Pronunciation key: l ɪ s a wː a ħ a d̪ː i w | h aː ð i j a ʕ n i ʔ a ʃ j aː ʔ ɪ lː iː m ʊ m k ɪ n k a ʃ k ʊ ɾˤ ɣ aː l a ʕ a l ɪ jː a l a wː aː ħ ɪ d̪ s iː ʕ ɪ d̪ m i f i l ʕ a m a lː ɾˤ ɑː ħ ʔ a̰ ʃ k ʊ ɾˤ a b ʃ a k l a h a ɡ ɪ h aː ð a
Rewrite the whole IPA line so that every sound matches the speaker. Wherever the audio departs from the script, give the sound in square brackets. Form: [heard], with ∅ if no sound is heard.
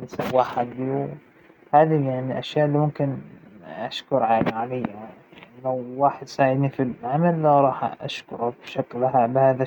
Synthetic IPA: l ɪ s a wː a ħ a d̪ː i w | h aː ð i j a ʕ n i ʔ a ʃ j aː ʔ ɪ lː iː m ʊ m k ɪ n [ʔ] a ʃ k ʊ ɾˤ [ʕ] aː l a ʕ a l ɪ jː a l a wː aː ħ ɪ d̪ s [aː] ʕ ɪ d̪ [n] i f i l ʕ a m a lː ɾˤ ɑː ħ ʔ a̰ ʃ k ʊ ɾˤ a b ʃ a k l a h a [b] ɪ h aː ð a